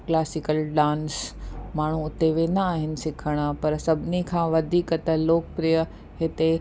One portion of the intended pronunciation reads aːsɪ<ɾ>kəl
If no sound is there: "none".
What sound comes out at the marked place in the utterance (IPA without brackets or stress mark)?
none